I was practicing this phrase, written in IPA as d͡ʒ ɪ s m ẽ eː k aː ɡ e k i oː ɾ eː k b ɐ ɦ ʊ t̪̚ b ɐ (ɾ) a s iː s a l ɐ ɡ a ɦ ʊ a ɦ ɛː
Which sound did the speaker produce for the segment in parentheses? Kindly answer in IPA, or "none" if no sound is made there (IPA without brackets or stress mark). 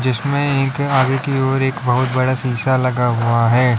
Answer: ɽ